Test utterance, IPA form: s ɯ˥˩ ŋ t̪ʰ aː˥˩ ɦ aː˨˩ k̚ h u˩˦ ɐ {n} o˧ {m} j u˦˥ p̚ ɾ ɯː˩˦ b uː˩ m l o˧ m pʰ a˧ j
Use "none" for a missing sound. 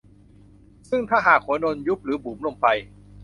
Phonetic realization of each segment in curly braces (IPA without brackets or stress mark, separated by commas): n, n